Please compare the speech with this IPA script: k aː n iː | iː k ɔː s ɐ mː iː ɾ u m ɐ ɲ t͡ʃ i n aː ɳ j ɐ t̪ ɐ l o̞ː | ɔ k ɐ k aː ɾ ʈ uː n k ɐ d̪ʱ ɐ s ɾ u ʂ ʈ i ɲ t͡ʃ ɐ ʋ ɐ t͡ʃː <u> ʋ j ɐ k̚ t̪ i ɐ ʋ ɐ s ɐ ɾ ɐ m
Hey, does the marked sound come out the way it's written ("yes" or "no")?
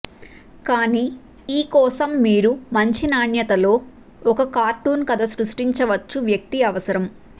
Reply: yes